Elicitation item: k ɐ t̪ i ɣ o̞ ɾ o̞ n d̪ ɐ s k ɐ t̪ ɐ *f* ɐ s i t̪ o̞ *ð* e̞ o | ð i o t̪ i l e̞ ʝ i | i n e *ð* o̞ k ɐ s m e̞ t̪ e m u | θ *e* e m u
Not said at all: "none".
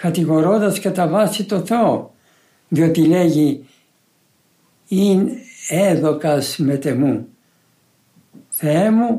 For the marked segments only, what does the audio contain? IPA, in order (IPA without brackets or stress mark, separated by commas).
v, θ, ð, e